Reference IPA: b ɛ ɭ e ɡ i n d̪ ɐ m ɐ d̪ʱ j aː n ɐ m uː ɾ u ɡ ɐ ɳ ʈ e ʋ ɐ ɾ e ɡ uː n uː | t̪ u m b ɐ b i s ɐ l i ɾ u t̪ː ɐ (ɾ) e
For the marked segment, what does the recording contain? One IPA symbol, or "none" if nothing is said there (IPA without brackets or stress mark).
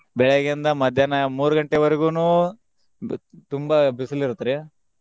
ɾ